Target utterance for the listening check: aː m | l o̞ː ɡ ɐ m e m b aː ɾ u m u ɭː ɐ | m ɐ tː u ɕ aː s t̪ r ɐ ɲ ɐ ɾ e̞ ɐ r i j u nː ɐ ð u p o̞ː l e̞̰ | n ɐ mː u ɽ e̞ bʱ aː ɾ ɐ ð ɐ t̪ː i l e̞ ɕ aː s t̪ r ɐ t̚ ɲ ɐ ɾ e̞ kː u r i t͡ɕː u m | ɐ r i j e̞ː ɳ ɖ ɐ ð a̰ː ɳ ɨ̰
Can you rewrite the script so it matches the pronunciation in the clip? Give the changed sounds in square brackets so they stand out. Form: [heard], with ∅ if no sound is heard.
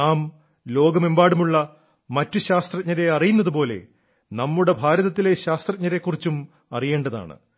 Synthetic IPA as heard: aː m | l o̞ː ɡ ɐ m e m b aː [ɽ] u m u ɭː ɐ | m ɐ tː u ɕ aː s t̪ r ɐ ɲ ɐ ɾ e̞ ɐ r i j u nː ɐ ð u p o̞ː l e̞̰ | n ɐ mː u ɽ e̞ bʱ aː ɾ ɐ ð ɐ t̪ː i l e̞ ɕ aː s t̪ r ɐ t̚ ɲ ɐ ɾ e̞ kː u r i t͡ɕː u m | ɐ r i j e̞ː ɳ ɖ ɐ ð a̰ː ɳ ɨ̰